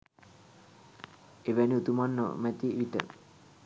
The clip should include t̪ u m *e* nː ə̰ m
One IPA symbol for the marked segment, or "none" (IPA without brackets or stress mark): a